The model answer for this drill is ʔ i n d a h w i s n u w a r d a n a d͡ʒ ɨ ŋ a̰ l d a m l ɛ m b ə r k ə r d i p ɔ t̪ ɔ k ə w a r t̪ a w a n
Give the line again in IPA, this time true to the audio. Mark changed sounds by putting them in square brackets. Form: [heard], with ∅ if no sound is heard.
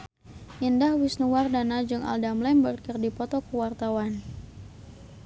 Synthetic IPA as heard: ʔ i n d a h w i s n u w a r d a n a d͡ʒ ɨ ŋ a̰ l d a m l ɛ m b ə r k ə r d i p ɔ t̪ ɔ k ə w a r t̪ a w a n